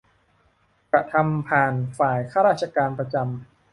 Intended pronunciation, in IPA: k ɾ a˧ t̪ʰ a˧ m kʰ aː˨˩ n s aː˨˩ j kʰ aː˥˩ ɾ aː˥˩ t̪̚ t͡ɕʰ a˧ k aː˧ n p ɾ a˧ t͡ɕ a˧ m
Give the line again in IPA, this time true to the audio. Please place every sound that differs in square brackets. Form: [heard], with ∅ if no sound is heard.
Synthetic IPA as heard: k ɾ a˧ t̪ʰ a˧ m [pʰ] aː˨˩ n [f] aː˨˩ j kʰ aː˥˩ ɾ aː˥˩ t̪̚ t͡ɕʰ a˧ k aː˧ n p ɾ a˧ t͡ɕ a˧ m